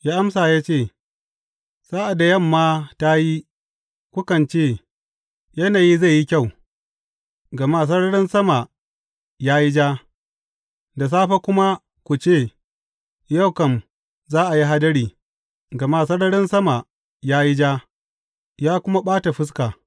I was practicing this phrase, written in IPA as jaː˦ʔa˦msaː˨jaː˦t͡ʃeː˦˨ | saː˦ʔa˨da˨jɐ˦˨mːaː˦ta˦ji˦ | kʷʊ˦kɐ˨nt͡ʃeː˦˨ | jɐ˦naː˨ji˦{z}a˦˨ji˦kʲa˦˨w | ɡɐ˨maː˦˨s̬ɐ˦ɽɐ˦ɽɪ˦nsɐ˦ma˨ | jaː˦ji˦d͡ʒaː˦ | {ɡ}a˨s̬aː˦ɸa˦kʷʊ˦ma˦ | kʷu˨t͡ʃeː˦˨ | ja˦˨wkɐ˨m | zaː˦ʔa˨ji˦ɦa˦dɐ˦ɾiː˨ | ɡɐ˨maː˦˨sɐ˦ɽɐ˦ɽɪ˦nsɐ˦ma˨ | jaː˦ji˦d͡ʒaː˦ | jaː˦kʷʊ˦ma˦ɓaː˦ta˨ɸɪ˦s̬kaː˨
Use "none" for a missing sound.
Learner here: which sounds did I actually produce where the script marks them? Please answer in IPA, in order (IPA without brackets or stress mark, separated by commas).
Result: z, d